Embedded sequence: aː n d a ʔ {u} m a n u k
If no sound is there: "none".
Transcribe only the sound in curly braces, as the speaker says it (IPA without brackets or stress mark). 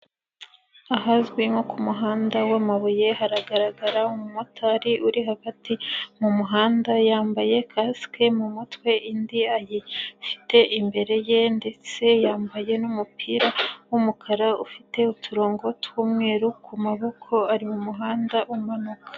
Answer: u